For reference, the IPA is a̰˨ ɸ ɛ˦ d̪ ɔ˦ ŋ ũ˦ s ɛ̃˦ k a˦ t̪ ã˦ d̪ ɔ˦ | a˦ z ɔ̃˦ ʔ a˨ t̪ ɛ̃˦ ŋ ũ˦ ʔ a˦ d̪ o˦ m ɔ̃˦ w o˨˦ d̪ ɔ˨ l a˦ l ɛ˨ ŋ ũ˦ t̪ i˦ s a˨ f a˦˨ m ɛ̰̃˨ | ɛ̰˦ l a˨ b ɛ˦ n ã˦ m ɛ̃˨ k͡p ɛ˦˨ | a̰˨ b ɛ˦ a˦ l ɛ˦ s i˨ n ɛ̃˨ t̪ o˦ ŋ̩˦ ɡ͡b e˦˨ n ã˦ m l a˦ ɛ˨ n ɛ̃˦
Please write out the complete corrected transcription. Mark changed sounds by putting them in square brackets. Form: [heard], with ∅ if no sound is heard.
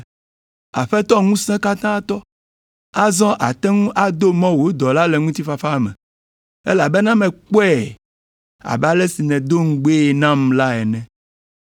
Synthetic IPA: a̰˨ ɸ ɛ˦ [t̪] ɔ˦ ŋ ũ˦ s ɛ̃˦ k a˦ t̪ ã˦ [t̪] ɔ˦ | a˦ z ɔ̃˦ ʔ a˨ t̪ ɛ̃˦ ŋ ũ˦ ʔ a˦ d̪ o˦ m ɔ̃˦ w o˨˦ d̪ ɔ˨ l a˦ l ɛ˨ ŋ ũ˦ t̪ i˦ [f] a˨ f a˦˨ m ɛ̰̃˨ | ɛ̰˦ l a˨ b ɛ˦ n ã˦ m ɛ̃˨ k͡p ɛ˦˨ | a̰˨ b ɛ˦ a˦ l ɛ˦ s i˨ n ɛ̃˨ [d̪] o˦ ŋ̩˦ ɡ͡b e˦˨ n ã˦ m l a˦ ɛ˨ n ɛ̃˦